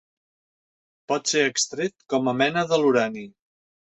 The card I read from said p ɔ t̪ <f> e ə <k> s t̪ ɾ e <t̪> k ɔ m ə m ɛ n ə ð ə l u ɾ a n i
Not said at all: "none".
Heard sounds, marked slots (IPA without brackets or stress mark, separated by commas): s, k, t̪